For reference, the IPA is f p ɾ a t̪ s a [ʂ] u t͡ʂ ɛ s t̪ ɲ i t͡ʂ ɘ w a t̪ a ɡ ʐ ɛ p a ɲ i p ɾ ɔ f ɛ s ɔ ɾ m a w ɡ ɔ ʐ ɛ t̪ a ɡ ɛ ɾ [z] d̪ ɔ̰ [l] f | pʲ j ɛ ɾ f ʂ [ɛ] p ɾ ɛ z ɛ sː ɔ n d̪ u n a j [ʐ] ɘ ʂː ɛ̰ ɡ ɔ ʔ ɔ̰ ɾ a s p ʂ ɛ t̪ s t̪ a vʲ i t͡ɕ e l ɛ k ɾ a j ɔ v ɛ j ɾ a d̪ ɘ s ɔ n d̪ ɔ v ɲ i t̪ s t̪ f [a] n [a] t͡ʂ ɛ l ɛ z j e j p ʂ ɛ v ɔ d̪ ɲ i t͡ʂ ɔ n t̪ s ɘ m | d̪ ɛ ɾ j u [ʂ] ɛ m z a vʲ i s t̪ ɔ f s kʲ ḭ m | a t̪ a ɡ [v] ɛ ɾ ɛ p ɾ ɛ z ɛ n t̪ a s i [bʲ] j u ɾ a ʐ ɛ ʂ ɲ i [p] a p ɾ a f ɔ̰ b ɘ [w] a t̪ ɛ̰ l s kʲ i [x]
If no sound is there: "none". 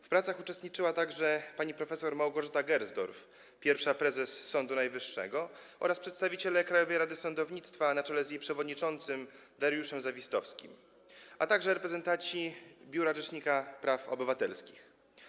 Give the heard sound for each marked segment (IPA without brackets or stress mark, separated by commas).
x, z, ɾ, a, v, a, a, ʂ, ʐ, bʲ, k, v, x